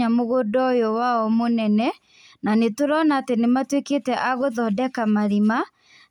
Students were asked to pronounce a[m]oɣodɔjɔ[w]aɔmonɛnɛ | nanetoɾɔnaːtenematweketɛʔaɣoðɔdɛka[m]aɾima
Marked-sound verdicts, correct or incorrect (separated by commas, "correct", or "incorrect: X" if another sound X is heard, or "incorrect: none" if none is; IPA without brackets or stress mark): correct, correct, correct